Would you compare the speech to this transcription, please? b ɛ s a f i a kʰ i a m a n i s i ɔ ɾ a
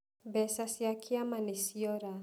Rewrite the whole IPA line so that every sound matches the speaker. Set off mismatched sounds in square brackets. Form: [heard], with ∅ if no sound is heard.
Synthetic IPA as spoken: b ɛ s a [s] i a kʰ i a m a n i s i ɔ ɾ a